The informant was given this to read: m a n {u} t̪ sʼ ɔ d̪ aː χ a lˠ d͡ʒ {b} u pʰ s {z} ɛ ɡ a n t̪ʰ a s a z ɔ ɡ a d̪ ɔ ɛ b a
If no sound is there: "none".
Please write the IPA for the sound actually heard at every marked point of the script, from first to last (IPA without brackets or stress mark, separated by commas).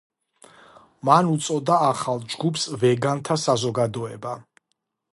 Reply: u, ɡ, v